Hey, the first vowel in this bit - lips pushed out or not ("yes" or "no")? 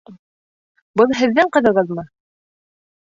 no